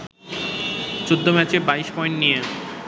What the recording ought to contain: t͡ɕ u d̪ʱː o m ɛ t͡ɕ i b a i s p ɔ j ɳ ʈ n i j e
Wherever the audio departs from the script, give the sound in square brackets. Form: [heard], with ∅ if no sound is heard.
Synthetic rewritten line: t͡ɕ [o] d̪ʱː o m ɛ t͡ɕ [e] b a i [ʃ] p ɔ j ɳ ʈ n i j e